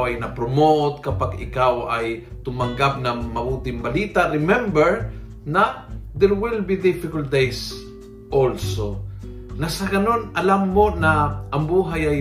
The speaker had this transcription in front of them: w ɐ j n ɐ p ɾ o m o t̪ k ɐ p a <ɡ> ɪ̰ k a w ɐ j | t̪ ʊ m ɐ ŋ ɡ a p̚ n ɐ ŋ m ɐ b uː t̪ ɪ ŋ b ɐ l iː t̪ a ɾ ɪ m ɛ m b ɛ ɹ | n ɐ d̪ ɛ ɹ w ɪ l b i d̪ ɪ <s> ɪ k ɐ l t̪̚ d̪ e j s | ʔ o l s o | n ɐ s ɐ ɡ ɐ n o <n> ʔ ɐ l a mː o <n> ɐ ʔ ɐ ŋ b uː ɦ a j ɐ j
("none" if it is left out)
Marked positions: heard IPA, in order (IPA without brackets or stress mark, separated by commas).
ɡ, f, n, n